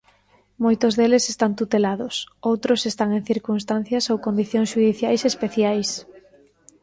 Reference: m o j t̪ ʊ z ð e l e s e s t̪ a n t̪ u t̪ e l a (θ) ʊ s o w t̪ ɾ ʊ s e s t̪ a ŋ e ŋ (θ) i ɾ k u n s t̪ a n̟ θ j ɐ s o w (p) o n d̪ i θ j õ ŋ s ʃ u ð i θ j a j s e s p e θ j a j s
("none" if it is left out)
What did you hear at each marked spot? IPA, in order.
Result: ð, θ, k

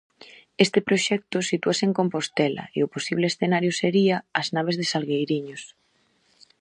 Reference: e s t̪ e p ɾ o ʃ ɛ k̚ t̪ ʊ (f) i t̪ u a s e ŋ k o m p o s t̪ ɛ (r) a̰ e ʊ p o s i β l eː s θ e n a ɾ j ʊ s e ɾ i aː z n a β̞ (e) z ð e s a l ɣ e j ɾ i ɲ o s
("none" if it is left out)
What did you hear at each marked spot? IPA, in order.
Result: s, l, e

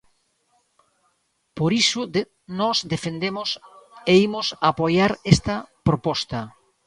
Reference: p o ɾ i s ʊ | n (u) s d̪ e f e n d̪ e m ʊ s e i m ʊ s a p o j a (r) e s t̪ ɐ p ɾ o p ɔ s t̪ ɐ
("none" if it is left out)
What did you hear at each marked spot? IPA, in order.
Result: ɔ, ɾ

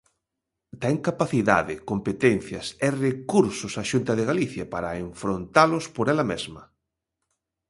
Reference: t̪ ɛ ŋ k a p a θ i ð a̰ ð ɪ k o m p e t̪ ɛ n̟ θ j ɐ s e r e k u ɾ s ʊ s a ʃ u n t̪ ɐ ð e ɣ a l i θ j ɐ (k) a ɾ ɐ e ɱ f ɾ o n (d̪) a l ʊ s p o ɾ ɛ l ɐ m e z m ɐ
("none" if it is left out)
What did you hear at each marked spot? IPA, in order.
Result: p, t̪

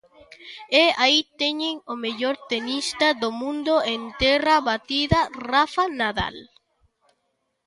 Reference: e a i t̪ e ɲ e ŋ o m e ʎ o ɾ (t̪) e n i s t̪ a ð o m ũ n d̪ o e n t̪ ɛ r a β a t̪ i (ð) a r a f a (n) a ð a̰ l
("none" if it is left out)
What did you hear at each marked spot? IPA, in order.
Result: t̪, ð, n

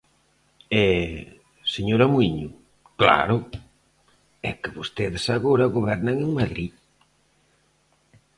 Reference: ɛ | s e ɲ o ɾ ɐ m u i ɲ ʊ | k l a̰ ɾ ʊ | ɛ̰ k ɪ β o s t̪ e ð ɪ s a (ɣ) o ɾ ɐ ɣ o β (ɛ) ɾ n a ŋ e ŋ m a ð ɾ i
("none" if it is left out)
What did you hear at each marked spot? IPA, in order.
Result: ɣ, ɛ

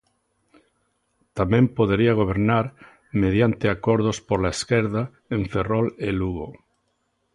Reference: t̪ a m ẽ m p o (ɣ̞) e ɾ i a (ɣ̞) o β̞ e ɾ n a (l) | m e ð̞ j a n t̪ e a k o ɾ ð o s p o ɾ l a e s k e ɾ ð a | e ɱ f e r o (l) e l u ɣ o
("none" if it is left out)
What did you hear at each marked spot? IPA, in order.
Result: ð̞, ɣ̞, ɾ, l

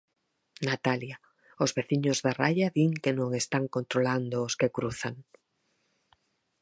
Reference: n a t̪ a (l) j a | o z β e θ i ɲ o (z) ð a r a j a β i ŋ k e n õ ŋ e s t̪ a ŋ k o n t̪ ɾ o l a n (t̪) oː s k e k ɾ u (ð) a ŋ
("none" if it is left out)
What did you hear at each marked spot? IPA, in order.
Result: l, z, d̪, θ

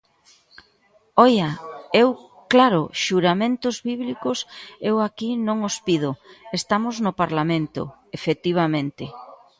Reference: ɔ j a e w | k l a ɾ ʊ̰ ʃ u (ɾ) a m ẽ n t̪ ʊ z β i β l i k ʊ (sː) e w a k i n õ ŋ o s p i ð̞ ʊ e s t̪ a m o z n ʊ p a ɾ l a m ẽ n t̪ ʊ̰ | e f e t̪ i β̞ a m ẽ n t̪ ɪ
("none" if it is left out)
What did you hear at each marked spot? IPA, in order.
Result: ɾ, s

